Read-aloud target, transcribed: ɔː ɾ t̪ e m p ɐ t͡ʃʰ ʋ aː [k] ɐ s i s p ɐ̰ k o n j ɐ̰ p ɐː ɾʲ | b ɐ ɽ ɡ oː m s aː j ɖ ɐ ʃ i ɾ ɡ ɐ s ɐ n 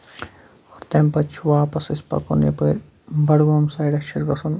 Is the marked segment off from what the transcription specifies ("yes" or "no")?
yes